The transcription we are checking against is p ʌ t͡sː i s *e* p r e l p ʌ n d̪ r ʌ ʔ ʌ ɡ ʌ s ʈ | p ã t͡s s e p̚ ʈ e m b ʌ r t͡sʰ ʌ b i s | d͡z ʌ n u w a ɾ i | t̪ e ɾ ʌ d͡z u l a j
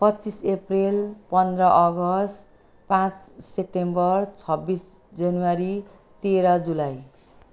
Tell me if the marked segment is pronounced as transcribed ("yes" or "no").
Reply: yes